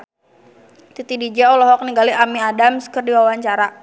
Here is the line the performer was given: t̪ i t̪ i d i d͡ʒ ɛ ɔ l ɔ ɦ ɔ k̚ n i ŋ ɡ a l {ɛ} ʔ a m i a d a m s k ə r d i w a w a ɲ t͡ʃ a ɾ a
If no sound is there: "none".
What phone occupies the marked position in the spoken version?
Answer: i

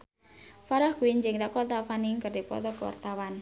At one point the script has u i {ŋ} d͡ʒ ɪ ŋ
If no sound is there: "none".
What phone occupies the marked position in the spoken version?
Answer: ɲ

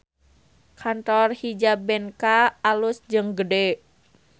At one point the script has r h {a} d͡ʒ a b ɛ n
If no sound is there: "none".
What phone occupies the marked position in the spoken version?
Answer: i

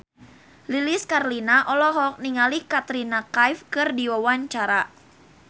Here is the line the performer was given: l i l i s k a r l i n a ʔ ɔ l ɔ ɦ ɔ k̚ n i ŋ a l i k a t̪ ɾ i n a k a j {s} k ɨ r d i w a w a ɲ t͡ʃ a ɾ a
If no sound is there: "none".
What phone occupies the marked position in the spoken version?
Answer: f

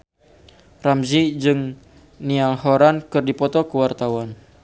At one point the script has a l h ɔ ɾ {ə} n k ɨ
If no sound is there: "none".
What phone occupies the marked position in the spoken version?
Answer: a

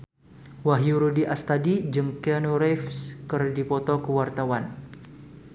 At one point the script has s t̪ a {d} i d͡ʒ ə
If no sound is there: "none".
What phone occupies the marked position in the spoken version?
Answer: d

